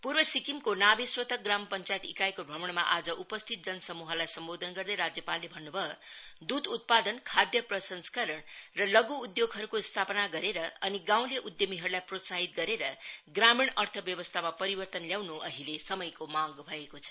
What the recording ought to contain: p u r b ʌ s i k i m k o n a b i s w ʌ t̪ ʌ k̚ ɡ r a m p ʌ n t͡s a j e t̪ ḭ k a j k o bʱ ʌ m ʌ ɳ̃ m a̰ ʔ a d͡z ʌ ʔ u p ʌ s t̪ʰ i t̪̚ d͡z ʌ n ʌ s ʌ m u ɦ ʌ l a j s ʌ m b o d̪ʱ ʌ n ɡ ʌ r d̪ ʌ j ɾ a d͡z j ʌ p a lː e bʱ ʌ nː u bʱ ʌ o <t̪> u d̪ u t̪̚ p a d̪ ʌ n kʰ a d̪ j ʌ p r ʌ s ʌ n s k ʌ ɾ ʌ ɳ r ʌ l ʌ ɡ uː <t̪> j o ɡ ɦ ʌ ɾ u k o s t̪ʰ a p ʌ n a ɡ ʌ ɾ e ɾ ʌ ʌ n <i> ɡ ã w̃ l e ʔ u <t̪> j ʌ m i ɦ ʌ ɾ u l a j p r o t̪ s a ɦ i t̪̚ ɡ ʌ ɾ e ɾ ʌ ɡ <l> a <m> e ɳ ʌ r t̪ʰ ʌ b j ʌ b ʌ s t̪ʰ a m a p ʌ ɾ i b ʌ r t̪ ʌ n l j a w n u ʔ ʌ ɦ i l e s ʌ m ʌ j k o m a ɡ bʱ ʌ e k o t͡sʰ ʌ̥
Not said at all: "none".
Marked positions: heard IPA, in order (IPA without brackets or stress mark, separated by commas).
d̪, d̪, i, d̪, r, m